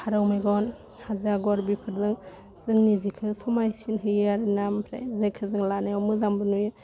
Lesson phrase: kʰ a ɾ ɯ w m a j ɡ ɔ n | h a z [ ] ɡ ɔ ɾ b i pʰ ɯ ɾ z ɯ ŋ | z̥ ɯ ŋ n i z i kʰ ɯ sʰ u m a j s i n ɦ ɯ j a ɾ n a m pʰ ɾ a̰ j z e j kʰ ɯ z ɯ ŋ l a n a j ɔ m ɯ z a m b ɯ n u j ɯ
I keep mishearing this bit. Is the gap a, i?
a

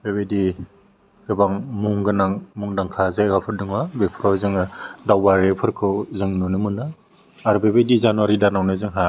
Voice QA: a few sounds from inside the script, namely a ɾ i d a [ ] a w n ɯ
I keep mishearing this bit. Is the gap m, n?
n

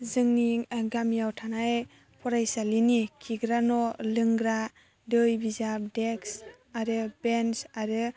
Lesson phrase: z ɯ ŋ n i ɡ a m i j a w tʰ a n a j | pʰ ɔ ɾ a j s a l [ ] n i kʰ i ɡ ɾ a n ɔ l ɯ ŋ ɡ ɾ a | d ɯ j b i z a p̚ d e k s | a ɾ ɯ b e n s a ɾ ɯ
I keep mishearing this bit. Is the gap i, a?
i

